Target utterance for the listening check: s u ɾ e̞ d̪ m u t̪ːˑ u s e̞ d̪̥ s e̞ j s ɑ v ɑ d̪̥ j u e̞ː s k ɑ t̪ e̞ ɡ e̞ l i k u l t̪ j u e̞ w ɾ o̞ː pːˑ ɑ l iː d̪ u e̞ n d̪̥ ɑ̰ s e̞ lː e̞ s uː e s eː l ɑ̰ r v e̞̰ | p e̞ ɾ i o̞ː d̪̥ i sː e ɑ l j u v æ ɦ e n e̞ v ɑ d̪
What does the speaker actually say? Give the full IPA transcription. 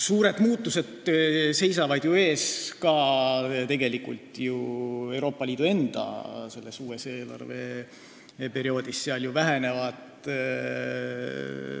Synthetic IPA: s uː ɾ e̞ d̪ m uː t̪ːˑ u s e̞ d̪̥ s e̞ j s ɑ v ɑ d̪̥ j u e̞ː s k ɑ t̪ e̞ ɡ e̞ l i k u l t̪ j u e̞ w ɾ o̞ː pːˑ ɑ l iː d̪ u e̞ n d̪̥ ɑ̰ s e̞ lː e̞ s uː e s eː l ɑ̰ r v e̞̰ | p e̞ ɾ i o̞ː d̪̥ i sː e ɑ l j u v æ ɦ e n e̞ v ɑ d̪